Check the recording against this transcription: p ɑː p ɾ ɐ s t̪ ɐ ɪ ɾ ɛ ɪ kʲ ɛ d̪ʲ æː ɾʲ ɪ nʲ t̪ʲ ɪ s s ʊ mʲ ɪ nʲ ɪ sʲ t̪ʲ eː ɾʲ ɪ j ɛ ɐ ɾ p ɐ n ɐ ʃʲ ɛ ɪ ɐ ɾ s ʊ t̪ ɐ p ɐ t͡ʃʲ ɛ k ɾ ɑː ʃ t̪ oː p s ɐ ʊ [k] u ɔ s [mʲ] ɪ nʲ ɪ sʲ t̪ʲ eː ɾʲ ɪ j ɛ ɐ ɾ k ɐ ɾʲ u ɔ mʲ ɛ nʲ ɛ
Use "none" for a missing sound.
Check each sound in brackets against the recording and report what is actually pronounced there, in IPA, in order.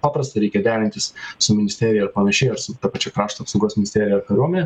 ɡ, mʲ

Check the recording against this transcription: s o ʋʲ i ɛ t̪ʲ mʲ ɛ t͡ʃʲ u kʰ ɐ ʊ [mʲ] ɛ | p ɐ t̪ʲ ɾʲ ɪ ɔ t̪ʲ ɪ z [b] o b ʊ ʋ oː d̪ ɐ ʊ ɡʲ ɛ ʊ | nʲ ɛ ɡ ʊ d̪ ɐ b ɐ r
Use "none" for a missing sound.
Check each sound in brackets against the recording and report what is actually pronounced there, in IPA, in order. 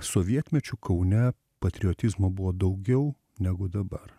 nʲ, m

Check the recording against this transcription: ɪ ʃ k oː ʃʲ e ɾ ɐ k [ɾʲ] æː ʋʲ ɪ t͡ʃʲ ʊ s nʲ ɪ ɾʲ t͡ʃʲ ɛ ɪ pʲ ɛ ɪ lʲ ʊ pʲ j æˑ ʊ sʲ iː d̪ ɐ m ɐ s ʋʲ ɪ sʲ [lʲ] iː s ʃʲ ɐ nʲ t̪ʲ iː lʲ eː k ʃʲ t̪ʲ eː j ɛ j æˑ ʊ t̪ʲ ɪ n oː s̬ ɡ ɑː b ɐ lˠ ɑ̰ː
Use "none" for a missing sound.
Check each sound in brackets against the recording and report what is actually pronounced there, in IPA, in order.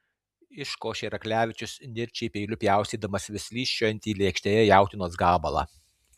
lʲ, lʲ

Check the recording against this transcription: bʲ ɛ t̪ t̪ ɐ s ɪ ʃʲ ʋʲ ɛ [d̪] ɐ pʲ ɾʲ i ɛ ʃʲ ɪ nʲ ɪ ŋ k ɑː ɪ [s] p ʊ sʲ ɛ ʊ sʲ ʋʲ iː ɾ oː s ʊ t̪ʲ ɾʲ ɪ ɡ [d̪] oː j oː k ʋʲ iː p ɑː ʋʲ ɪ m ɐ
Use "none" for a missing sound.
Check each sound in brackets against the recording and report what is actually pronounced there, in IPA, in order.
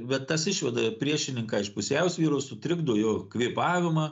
d̪, ʃ, d̪

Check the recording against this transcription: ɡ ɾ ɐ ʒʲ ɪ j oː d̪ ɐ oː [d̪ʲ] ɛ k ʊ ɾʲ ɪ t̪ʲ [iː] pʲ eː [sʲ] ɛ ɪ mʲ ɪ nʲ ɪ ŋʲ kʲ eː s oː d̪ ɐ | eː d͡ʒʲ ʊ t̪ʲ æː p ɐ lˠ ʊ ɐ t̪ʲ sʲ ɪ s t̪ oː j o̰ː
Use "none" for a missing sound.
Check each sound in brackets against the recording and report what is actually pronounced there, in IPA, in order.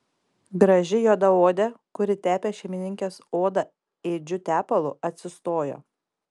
d̪ʲ, æː, ʃʲ

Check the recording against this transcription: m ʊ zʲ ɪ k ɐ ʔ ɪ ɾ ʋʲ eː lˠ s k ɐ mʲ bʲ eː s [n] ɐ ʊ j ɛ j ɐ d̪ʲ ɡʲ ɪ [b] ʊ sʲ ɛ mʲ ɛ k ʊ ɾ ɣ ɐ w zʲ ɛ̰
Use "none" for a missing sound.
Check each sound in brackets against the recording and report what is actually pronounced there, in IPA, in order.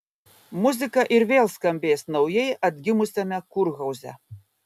n, m

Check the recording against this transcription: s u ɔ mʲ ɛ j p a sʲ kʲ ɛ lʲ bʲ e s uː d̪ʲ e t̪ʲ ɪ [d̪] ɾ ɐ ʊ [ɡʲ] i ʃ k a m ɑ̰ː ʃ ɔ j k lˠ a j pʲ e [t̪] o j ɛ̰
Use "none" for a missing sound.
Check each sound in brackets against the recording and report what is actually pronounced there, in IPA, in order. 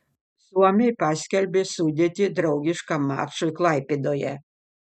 d̪, ɡʲ, d̪

